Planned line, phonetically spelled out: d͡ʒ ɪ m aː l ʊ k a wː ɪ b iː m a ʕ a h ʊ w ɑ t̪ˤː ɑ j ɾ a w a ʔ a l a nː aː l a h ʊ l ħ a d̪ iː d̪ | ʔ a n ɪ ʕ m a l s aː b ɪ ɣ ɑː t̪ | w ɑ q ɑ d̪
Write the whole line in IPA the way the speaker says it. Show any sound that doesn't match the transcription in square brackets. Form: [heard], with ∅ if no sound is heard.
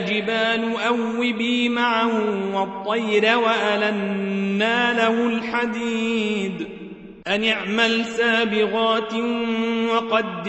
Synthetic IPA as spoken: d͡ʒ ɪ [b] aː l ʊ [ʔ] a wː ɪ b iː m a ʕ a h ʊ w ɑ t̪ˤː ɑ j ɾ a w a ʔ a l a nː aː l a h ʊ l ħ a d̪ iː d̪ | ʔ a n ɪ ʕ m a l s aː b ɪ ɣ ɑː t̪ | w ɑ q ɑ d̪